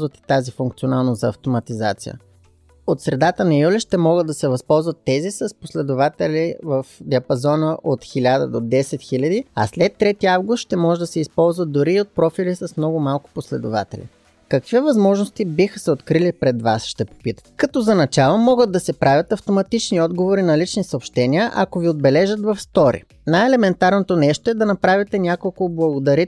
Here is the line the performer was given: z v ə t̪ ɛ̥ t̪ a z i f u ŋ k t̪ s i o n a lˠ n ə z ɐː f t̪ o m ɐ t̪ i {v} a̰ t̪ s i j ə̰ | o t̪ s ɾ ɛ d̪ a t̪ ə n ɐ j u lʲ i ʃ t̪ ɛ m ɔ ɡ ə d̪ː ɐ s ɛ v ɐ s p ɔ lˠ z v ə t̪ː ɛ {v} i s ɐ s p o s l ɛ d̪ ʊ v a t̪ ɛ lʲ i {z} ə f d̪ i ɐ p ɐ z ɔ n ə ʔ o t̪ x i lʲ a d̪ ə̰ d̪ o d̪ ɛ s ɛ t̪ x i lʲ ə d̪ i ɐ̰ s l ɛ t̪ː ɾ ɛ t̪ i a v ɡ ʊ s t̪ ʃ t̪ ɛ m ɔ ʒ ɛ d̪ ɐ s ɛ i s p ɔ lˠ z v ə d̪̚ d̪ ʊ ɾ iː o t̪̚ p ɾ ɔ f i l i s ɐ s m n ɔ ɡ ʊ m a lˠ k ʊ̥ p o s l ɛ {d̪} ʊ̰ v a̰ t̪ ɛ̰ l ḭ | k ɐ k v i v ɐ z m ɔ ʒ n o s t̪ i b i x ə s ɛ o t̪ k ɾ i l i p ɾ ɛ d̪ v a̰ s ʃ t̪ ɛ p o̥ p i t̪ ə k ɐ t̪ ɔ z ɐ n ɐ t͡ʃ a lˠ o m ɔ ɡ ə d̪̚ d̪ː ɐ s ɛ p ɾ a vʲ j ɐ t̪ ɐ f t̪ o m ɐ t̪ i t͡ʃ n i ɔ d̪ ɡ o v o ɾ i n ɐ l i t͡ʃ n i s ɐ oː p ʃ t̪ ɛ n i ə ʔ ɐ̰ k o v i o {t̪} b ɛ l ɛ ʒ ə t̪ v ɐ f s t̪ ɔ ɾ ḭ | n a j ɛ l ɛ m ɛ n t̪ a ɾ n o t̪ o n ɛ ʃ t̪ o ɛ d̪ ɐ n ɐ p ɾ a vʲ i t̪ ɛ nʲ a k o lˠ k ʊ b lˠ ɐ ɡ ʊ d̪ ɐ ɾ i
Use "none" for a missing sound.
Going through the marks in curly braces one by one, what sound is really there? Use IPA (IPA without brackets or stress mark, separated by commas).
z, z, v, d̪, d̪